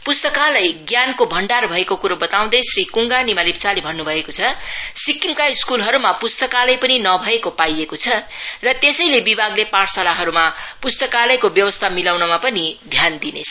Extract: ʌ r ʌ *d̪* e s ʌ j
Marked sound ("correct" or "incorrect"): incorrect